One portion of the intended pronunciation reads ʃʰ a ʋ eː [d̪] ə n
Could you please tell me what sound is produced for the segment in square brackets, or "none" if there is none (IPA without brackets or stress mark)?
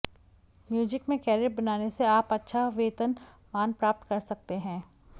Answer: t̪